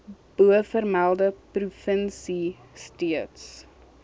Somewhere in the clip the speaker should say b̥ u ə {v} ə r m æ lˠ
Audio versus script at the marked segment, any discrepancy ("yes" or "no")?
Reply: yes